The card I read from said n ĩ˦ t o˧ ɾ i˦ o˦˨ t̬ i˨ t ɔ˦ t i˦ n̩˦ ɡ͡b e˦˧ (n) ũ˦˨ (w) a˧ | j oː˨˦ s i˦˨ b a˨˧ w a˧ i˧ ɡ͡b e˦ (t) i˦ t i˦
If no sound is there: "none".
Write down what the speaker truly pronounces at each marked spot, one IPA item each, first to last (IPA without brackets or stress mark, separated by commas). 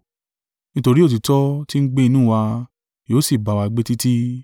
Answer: n, w, t